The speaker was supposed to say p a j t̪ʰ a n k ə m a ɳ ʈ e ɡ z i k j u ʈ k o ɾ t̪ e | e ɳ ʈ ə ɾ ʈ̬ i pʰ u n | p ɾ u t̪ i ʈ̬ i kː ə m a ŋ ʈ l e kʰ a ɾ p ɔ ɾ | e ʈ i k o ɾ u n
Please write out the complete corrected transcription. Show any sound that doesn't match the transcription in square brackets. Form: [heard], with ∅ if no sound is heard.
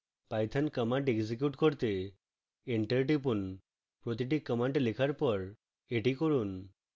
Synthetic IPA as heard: p a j t̪ʰ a n k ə m a ɳ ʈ e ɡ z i k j u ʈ k o ɾ t̪ e | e ɳ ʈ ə ɾ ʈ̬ i [p] u n | p ɾ [o] t̪ i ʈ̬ i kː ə m a [ɳ] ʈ l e kʰ a ɾ p ɔ ɾ | e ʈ i k o ɾ u n